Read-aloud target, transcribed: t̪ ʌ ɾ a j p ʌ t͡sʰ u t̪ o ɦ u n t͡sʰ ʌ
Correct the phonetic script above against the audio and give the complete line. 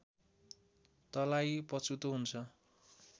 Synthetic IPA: t̪ ʌ l a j p ʌ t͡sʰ u t̪ o ɦ u n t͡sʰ ʌ